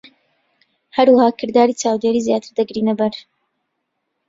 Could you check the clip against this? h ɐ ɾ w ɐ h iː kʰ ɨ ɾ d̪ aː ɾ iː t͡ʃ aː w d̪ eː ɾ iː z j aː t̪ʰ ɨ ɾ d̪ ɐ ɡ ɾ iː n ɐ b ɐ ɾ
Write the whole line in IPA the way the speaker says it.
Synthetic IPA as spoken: h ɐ ɾ w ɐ h aː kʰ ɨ ɾ d̪ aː ɾ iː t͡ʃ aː w d̪ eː ɾ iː z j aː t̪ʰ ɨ ɾ d̪ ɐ ɡ ɾ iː n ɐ b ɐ ɾ